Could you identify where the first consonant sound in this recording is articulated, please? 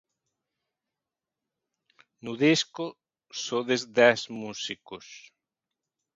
alveolar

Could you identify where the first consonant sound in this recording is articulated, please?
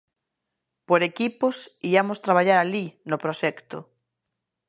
labial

